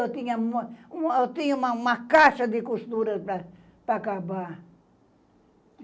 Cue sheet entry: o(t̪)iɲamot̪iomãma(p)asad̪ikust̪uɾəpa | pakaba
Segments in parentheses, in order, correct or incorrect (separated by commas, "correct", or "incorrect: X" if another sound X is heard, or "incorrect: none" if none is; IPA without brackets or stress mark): correct, incorrect: k